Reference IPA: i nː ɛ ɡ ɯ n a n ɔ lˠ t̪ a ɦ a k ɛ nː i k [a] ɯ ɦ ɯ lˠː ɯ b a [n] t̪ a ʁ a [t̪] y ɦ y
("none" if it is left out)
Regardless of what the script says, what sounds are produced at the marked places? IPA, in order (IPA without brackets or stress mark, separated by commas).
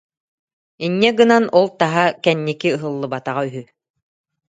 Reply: i, none, none